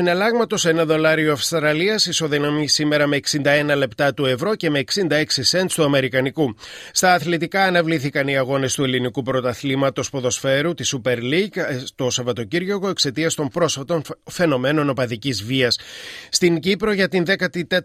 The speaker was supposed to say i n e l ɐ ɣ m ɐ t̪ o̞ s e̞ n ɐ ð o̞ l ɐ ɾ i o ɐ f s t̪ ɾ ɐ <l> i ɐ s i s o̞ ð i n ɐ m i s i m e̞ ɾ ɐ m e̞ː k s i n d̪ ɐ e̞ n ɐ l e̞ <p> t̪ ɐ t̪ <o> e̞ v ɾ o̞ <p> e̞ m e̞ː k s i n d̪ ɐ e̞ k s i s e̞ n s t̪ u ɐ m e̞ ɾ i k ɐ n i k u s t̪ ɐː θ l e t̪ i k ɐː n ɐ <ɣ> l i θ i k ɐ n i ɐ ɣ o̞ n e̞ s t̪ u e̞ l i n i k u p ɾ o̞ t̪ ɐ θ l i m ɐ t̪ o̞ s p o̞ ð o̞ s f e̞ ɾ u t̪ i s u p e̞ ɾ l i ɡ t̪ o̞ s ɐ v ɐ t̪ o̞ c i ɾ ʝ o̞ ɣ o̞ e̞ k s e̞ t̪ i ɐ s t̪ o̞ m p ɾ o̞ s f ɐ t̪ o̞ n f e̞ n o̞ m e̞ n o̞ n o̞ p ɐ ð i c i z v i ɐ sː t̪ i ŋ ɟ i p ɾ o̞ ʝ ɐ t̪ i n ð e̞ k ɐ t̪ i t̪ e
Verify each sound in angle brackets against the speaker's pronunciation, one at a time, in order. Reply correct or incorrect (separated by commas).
correct, correct, incorrect, incorrect, incorrect